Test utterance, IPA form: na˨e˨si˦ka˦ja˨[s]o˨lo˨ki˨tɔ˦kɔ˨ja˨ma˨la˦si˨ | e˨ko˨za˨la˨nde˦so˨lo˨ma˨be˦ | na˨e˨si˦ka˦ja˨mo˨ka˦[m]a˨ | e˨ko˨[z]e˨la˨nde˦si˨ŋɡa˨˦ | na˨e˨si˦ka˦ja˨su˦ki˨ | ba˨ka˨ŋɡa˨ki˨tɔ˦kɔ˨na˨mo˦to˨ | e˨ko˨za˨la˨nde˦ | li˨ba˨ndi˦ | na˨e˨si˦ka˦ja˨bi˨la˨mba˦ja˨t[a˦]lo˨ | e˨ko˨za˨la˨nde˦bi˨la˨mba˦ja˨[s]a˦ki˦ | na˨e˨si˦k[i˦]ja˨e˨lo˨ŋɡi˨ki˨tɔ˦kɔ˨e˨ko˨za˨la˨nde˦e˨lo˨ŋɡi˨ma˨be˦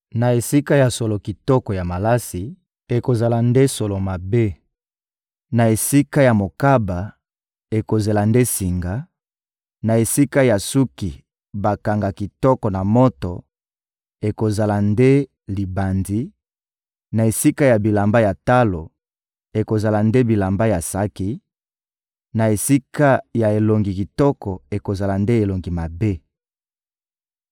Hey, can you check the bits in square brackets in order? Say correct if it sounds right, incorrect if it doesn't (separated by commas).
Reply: correct, incorrect, correct, correct, correct, incorrect